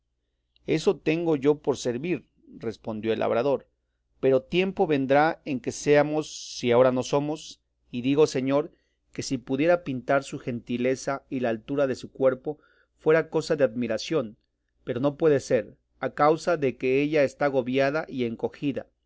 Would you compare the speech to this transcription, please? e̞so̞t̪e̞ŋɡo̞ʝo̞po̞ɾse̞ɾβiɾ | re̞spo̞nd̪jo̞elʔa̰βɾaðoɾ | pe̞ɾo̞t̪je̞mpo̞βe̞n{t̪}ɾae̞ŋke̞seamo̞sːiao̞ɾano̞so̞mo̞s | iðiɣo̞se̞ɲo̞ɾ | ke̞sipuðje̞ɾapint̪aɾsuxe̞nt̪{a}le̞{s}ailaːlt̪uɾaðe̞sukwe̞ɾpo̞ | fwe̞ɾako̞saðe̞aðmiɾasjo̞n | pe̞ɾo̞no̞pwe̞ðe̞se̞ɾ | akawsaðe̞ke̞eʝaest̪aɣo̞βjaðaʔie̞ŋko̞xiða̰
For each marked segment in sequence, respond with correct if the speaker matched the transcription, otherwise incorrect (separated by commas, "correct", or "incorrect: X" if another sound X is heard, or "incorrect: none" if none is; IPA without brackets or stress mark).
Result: incorrect: d̪, incorrect: i, correct